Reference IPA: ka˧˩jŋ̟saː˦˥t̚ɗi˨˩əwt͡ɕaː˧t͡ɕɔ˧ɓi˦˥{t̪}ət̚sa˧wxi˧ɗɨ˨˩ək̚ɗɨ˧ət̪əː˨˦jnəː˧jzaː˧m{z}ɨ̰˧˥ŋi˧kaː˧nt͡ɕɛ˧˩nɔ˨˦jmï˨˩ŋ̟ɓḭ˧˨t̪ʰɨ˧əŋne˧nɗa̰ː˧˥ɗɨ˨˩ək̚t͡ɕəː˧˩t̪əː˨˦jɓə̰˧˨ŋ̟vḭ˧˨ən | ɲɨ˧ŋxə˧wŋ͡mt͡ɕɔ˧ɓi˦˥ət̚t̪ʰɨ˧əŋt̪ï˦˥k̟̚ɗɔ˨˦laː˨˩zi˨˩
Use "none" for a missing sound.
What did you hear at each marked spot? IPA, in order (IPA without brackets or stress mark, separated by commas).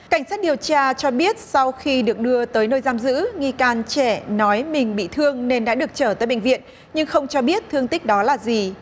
none, z